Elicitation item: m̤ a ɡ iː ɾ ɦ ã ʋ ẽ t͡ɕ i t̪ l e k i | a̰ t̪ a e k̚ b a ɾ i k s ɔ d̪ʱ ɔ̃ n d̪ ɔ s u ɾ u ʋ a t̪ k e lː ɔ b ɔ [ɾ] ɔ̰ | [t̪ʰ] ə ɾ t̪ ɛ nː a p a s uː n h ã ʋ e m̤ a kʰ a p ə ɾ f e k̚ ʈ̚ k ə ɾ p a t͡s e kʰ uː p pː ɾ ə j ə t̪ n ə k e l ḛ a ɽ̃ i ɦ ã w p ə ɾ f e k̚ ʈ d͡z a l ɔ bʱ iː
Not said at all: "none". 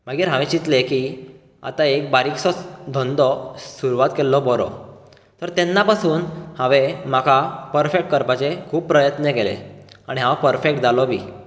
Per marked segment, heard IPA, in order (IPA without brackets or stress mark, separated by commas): ɾ, t̪